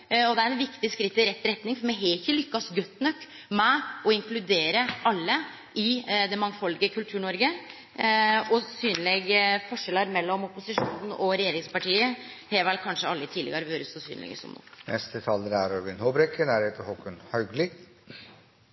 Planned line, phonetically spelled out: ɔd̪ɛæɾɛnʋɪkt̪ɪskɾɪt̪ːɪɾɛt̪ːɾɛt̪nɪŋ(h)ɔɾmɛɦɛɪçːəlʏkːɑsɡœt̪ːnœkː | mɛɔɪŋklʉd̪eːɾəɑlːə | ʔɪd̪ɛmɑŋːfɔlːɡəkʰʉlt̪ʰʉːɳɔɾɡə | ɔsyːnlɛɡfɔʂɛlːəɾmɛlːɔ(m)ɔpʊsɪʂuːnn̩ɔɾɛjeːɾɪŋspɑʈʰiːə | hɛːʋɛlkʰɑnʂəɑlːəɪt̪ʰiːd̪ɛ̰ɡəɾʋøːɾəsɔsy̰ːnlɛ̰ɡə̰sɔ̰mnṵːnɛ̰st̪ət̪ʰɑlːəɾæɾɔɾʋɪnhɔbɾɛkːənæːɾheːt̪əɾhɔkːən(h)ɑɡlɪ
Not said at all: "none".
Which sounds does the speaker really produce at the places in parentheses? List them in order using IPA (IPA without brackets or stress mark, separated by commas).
f, m, h